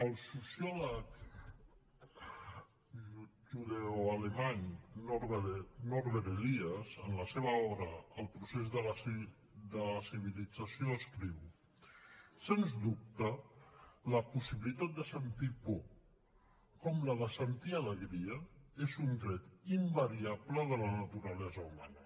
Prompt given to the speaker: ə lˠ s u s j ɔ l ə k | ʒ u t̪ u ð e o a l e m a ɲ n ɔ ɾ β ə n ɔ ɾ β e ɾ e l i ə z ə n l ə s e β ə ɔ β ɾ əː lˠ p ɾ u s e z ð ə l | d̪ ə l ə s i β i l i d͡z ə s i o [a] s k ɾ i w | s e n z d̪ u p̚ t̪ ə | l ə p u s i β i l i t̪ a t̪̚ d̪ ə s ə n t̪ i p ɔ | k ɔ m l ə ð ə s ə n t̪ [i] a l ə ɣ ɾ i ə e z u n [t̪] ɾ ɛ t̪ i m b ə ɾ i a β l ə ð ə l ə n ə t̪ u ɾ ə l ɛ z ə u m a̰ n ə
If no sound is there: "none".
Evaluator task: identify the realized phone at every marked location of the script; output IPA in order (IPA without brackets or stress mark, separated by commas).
ə, i, d̪